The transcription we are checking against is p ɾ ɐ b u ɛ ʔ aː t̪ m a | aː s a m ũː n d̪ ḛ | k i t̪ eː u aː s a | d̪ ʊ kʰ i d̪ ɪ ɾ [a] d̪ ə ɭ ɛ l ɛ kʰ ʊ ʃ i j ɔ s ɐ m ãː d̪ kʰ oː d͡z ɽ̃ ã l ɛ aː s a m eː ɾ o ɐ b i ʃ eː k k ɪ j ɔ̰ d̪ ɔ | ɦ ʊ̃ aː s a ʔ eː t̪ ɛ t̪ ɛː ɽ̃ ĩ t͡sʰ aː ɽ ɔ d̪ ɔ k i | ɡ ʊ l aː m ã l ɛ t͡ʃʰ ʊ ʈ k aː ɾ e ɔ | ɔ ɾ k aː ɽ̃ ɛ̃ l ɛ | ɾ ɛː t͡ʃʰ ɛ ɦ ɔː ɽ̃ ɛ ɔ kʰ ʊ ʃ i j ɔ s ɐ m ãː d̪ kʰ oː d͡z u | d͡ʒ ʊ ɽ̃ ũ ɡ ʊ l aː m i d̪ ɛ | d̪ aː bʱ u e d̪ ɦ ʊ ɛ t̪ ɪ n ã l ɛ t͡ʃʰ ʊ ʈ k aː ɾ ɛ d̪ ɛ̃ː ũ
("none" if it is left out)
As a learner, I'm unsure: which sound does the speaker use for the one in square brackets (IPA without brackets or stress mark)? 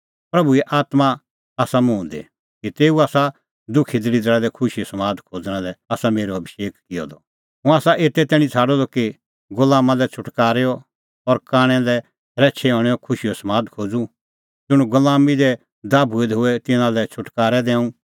i